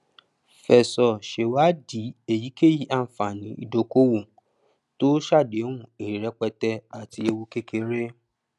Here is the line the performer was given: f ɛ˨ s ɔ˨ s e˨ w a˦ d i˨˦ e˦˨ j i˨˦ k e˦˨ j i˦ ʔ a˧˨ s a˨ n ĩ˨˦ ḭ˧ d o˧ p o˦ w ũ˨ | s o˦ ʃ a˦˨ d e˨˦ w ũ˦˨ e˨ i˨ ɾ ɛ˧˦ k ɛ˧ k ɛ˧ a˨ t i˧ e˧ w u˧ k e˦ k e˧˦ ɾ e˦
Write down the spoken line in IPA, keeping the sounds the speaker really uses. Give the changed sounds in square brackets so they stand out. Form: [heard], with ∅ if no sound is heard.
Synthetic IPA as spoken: f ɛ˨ s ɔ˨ [ʃ] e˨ w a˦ d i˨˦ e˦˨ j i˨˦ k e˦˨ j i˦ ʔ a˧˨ [f] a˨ n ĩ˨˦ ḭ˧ d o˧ [k] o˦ w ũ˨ | [t] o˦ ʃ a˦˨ d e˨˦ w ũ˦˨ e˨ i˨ ɾ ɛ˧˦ [k͡p] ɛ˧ [t] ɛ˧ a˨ t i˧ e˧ w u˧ k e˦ k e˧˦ ɾ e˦

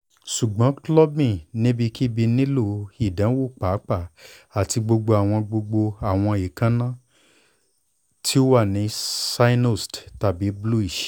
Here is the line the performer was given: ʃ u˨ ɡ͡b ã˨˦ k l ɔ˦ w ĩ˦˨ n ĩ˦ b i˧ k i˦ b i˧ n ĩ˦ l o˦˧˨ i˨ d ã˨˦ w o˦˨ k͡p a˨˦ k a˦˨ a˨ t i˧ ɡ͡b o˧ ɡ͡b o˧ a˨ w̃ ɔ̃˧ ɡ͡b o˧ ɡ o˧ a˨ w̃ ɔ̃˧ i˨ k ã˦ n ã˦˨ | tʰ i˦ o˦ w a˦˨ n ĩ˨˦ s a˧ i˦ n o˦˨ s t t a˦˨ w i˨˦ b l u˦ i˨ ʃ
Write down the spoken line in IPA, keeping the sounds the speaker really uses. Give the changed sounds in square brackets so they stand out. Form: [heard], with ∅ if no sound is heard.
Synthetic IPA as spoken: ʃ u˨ ɡ͡b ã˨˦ k l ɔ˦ [b] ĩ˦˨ n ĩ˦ b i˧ k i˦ b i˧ n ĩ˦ l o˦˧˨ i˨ d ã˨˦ w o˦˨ k͡p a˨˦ [k͡p] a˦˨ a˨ t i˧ ɡ͡b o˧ ɡ͡b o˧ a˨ w̃ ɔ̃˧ ɡ͡b o˧ [ɡ͡b] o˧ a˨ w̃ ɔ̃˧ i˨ k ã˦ n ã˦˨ | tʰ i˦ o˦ w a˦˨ n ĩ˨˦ s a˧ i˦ n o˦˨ s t t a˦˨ [b] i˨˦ b l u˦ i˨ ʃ

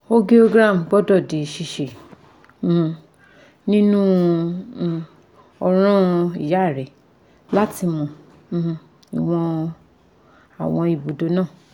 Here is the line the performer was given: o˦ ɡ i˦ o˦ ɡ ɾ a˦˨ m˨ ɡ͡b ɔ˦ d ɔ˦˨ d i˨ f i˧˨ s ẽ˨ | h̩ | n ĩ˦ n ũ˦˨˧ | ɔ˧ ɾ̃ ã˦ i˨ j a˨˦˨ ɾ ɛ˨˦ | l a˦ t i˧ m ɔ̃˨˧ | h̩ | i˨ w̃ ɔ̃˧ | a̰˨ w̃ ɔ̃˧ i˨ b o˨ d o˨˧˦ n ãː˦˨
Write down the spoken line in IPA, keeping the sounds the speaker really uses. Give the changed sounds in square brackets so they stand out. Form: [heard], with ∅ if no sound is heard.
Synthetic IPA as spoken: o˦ ɡ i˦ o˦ ɡ ɾ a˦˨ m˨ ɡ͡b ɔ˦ d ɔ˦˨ d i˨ [ʃ] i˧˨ [ʃ] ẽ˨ | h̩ | n ĩ˦ n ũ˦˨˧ | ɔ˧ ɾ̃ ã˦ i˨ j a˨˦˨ ɾ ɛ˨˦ | l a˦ t i˧ m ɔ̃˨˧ | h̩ | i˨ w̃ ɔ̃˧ | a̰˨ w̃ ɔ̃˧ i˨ b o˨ d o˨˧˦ n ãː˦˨

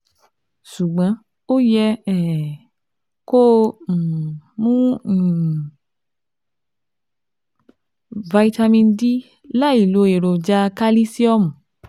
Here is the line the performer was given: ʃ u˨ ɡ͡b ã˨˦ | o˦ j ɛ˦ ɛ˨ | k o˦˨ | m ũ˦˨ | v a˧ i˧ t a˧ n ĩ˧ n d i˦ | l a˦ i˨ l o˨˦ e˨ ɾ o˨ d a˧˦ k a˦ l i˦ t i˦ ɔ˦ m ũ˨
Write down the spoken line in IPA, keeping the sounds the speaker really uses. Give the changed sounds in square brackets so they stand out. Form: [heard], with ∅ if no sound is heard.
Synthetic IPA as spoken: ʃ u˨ ɡ͡b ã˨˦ | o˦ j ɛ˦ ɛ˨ | k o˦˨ | m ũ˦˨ | v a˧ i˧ t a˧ [m] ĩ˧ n d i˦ | l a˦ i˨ l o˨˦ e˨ ɾ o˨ [d͡ʒ] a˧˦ k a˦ l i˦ [s] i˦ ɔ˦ m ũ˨

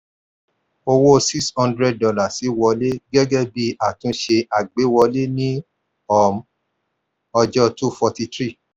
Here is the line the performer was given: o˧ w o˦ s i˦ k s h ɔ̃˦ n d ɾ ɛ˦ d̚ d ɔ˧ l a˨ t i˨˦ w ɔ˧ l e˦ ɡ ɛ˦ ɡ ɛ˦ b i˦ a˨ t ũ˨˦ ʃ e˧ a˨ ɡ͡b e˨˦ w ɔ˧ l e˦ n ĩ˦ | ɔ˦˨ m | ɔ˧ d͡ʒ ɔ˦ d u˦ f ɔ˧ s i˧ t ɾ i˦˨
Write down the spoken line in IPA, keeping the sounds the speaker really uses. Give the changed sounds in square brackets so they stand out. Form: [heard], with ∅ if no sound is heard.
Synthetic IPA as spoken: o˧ w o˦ s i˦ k s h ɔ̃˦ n d ɾ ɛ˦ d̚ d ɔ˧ l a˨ [s] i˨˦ w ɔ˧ l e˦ ɡ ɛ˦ ɡ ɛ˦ b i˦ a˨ t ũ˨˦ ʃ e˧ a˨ ɡ͡b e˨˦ w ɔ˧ l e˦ n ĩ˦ | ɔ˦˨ m | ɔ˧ d͡ʒ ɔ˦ [t] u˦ f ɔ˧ [t] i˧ t ɾ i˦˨

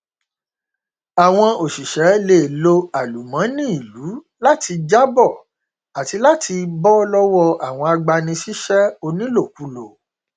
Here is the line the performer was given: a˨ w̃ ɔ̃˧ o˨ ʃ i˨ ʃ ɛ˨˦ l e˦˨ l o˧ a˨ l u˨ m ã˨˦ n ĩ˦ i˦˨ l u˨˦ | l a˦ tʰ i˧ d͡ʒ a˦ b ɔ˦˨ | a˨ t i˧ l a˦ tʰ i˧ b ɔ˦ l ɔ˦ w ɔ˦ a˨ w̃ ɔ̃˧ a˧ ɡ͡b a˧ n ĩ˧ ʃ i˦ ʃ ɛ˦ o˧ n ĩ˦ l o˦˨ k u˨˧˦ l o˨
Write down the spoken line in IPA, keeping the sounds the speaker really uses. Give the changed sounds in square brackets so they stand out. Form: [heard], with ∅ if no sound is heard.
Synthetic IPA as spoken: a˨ w̃ ɔ̃˧ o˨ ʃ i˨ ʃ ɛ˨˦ l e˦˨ l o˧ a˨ l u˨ m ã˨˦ n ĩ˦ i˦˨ l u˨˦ | l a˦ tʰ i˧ d͡ʒ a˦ b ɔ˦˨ | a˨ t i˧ l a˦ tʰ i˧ b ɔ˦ l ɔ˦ w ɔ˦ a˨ w̃ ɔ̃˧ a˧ ɡ͡b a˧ n ĩ˧ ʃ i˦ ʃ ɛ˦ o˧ n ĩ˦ l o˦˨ k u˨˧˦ l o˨

